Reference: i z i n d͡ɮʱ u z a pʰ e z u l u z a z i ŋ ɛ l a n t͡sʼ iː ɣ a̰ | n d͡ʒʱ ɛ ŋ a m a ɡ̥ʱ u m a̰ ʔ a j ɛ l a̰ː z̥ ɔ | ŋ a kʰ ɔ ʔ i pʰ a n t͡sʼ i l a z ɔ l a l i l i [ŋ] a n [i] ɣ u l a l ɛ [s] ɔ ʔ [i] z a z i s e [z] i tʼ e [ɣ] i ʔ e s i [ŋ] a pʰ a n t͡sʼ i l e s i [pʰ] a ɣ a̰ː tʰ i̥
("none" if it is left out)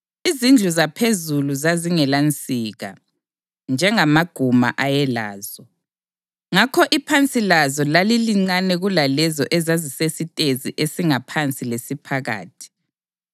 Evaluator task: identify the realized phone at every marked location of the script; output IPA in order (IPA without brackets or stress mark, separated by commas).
ŋ͡ǀ, ɛ, z, ɛ, s, z, ŋ, pʰ